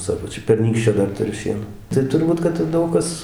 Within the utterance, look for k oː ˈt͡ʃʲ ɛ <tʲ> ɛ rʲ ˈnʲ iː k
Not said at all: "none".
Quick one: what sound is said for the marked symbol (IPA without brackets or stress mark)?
pʲ